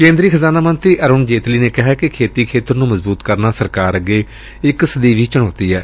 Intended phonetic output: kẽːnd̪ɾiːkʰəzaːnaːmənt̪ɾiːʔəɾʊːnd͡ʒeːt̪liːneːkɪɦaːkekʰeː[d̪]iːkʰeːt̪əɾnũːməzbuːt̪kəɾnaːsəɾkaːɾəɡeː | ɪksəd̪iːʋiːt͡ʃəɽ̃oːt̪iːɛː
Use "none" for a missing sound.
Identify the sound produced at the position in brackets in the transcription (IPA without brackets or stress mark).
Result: t̪